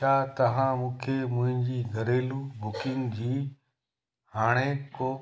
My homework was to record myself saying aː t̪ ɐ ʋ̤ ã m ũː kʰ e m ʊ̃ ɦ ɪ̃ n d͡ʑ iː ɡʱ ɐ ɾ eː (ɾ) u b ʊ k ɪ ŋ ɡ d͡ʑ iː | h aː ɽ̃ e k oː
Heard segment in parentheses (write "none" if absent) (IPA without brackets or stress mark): l